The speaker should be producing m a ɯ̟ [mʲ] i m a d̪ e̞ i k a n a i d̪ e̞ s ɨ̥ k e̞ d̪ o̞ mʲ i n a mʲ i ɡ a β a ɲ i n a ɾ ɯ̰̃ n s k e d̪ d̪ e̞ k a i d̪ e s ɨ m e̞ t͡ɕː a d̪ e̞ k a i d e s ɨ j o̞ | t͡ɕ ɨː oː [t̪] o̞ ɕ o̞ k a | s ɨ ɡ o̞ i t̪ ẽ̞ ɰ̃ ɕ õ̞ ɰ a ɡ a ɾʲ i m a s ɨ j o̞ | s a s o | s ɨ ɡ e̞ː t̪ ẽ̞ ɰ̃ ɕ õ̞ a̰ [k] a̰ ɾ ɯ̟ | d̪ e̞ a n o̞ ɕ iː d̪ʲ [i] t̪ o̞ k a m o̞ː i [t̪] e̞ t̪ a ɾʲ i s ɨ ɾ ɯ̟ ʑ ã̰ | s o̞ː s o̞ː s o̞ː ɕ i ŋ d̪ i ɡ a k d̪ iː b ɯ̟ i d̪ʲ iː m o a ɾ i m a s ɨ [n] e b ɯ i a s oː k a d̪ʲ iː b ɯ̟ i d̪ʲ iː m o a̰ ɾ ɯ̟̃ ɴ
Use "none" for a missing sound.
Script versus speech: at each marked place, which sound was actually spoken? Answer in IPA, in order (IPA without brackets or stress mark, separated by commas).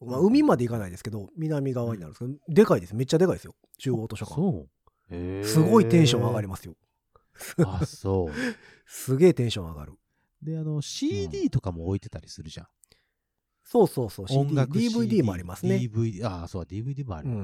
mʲ, t̪, ɡ, iː, t̪, n